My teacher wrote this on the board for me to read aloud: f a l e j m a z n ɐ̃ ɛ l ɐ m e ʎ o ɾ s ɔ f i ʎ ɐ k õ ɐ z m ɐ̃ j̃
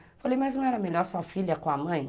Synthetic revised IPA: f a l e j m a z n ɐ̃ ɛ ɾ ɐ m e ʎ ɔ ɾ s ɔ f i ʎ ɐ k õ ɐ m ɐ̃ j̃